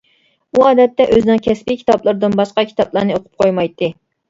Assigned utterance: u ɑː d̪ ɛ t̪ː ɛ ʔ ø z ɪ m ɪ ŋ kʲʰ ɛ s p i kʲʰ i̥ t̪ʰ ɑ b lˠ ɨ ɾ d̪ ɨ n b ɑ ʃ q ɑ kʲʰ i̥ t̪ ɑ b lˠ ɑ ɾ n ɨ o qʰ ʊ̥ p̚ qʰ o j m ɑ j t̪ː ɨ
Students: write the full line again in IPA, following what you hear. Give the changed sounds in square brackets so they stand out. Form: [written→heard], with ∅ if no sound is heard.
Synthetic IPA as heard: u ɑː d̪ ɛ t̪ː ɛ ʔ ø z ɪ [m→n] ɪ ŋ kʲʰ ɛ s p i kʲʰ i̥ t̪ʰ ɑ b lˠ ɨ ɾ d̪ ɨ n b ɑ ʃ q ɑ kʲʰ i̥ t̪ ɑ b lˠ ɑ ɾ n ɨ o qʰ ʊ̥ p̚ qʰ o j m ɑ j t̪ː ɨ